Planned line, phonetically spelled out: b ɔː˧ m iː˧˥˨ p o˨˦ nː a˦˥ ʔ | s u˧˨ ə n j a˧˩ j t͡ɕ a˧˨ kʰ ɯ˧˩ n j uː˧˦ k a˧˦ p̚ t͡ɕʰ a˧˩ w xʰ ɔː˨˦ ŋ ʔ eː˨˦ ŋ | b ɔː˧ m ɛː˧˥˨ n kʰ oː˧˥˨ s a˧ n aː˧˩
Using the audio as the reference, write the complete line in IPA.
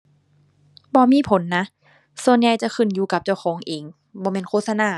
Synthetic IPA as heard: b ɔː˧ m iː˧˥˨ pʰ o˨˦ nː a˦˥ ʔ | s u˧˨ ə n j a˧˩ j t͡ɕ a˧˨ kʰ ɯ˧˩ n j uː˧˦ k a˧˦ p̚ t͡ɕ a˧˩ w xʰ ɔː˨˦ ŋ ʔ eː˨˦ ŋ | b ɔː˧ m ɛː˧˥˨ n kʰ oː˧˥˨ s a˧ n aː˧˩